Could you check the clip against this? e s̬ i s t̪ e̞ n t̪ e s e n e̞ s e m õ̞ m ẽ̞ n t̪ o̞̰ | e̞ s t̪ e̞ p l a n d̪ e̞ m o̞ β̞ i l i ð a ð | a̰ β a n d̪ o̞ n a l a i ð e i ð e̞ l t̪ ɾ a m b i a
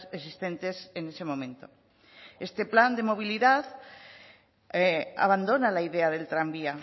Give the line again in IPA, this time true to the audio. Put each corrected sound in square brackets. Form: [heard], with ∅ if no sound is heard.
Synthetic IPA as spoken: e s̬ i s t̪ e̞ n t̪ e s e n e̞ s e m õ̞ m ẽ̞ n t̪ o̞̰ | e̞ s t̪ e̞ p l a n d̪ e̞ m o̞ β̞ i l i ð a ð | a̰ β a n d̪ o̞ n a l a i ð e [a] ð e̞ l t̪ ɾ a m b i a

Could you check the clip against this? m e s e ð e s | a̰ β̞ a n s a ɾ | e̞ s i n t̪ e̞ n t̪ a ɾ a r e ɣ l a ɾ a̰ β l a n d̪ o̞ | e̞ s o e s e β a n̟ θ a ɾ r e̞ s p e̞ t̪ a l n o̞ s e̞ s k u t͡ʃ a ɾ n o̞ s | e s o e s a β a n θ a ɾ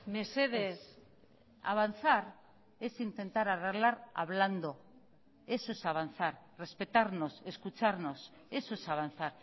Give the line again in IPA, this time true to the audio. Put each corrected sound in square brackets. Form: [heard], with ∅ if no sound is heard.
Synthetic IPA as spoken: m e s e ð e s | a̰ β̞ a n [θ] a ɾ | e̞ s i n t̪ e̞ n t̪ a ɾ a r e ɣ l a ɾ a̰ β l a n d̪ o̞ | e̞ s o e s [a] β a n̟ θ a ɾ r e̞ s p e̞ t̪ a [ɾ] n o̞ s e̞ s k u t͡ʃ a ɾ n o̞ s | e s o e s a β a n θ a ɾ

